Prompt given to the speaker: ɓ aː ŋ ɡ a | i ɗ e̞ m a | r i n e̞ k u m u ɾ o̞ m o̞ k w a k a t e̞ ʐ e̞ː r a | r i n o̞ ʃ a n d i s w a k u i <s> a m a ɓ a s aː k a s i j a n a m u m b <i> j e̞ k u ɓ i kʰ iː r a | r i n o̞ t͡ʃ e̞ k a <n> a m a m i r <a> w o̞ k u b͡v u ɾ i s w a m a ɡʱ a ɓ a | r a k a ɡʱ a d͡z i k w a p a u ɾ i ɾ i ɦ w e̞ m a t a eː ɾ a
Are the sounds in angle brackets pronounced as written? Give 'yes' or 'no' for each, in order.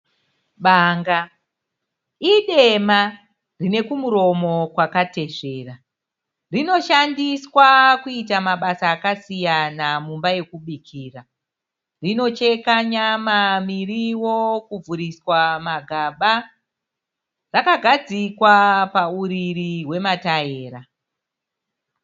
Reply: no, no, no, no

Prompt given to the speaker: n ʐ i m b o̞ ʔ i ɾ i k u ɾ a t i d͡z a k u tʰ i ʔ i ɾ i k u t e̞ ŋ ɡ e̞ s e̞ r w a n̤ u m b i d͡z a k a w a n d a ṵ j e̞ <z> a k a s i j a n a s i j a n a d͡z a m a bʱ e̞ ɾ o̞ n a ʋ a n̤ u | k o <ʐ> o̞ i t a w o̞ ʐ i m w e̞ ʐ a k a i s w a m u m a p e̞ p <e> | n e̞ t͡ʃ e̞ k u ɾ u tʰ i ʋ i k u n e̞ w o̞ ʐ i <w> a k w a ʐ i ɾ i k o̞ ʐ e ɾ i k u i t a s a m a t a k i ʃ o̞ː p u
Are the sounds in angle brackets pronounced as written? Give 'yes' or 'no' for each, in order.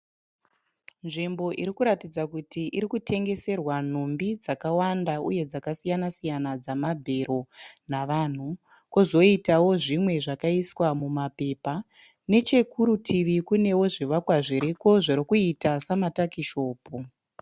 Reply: no, no, no, no

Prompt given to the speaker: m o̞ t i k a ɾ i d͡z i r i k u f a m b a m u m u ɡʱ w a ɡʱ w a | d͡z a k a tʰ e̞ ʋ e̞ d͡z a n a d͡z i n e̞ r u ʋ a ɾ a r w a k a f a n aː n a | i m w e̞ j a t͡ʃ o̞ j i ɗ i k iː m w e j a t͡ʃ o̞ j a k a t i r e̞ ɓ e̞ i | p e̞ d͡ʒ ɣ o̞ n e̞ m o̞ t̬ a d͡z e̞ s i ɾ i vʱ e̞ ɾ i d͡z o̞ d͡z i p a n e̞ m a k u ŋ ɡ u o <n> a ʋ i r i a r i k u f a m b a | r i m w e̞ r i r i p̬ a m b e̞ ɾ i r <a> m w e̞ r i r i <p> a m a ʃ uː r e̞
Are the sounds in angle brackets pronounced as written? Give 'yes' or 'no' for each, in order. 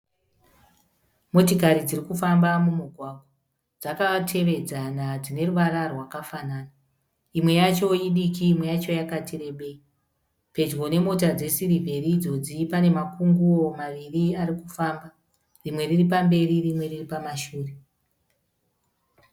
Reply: no, no, yes

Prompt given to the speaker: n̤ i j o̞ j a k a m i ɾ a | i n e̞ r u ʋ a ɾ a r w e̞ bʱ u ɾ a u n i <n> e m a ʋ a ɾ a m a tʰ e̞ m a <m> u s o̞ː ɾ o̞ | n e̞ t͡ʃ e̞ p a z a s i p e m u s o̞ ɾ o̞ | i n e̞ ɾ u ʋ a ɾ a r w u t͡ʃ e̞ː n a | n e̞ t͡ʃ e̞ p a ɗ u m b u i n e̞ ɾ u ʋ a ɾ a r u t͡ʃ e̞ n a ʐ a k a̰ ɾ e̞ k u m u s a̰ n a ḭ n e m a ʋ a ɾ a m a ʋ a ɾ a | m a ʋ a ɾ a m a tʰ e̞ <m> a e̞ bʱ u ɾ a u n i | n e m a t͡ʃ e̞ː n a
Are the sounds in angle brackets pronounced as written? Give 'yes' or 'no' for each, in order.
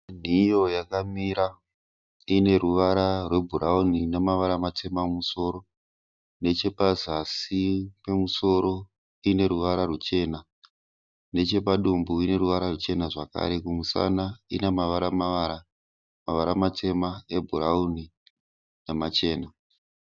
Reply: yes, yes, yes

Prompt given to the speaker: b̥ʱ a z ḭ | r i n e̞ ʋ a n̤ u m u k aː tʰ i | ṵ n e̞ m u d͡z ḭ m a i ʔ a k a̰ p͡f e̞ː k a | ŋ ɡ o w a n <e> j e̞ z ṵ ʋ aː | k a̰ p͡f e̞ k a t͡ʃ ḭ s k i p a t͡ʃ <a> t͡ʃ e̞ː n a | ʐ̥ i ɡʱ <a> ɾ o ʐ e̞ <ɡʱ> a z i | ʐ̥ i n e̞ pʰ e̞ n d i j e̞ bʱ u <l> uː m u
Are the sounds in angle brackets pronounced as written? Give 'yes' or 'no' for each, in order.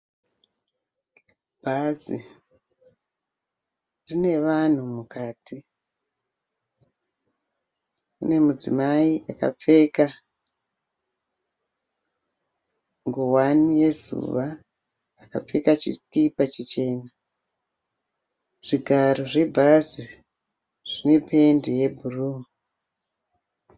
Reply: no, no, yes, no, no

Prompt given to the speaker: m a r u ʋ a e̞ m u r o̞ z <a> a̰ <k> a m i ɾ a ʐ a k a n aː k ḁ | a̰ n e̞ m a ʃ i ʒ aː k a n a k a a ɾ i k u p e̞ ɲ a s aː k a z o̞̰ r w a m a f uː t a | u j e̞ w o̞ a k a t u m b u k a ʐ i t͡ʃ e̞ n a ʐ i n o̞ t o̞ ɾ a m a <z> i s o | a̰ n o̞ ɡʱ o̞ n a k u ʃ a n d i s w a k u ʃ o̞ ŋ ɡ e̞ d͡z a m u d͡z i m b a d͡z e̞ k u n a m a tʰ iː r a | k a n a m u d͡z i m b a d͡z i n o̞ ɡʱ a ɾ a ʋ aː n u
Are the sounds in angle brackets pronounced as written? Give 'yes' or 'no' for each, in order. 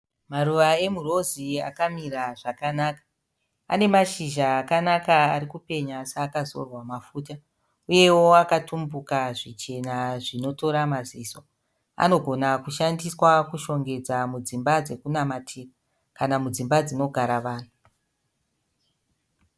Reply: no, yes, yes

